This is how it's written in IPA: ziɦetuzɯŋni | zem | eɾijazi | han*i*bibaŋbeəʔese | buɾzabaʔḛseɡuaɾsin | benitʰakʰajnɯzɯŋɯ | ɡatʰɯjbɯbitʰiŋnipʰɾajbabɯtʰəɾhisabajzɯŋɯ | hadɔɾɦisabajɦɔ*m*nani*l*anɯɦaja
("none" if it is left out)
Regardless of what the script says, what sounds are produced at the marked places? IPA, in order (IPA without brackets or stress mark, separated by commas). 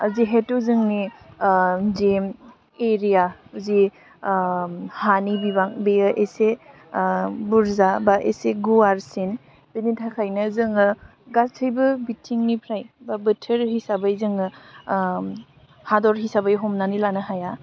i, m, l